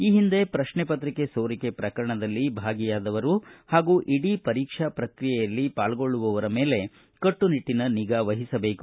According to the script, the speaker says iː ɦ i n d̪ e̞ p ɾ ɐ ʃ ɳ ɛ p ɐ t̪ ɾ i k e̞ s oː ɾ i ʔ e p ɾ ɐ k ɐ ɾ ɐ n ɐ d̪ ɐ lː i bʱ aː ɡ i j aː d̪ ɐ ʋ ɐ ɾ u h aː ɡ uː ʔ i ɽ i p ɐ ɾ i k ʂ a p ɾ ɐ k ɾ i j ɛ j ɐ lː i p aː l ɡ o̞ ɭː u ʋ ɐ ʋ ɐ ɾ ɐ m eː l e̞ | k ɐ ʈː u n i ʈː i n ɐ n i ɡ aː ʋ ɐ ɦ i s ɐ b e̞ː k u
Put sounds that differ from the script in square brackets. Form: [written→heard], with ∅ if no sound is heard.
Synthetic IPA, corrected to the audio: iː ɦ i n d̪ e̞ p ɾ ɐ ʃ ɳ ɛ p ɐ t̪ ɾ i k e̞ s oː ɾ i [ʔ→k] e p ɾ ɐ k ɐ ɾ ɐ [n→ɳ] ɐ d̪ ɐ lː i bʱ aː ɡ i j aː d̪ ɐ ʋ ɐ ɾ u h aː ɡ uː ʔ i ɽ i p ɐ ɾ [i→iː] k ʂ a p ɾ ɐ k ɾ i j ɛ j ɐ lː i p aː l ɡ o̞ ɭː u ʋ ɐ ʋ ɐ ɾ ɐ m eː l e̞ | k ɐ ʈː u n i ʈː i n ɐ n i ɡ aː ʋ ɐ ɦ i s ɐ b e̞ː k u